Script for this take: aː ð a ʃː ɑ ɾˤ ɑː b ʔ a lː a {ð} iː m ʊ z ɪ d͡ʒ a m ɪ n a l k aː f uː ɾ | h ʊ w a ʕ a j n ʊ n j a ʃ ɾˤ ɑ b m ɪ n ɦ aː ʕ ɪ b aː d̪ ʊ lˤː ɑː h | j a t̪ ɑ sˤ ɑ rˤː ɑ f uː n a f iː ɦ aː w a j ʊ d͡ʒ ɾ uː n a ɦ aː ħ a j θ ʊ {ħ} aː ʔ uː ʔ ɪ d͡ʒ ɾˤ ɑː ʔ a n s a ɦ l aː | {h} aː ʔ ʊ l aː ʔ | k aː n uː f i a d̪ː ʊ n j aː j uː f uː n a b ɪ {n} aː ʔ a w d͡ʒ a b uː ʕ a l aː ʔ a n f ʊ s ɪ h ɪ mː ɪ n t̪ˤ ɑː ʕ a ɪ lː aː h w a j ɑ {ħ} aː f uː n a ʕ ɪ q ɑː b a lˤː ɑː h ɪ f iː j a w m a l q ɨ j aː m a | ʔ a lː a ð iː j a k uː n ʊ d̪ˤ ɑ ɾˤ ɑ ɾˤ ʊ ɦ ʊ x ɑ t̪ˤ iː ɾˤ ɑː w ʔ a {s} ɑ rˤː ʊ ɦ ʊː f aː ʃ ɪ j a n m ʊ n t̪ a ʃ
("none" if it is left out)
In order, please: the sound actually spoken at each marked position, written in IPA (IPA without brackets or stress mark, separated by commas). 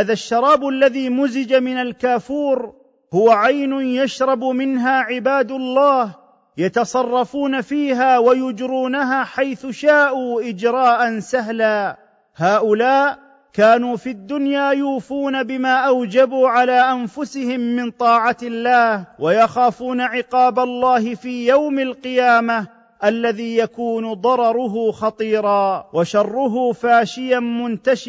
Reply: ð, ʃ, h, m, x, ʃ